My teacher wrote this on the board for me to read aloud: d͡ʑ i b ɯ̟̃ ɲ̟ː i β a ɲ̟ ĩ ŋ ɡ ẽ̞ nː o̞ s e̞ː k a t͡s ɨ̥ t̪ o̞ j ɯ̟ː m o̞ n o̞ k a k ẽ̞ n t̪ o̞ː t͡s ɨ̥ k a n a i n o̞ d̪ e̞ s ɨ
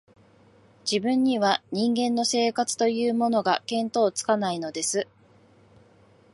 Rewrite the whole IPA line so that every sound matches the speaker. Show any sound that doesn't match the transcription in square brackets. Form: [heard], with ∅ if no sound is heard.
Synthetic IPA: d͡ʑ i b ɯ̟̃ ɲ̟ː i β a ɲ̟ ĩ ŋ ɡ ẽ̞ nː o̞ s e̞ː k a t͡s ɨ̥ t̪ o̞ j ɯ̟ː m o̞ n o̞ [ɡ] a k ẽ̞ n t̪ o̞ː t͡s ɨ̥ k a n a i n o̞ d̪ e̞ s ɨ